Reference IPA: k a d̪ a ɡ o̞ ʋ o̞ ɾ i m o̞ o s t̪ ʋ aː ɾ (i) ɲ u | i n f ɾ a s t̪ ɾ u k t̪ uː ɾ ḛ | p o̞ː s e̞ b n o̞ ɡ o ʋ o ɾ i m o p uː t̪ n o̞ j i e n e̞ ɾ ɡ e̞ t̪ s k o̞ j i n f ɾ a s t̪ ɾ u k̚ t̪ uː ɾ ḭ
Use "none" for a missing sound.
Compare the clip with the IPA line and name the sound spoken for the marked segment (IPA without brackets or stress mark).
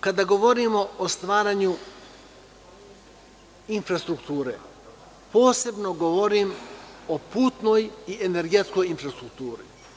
a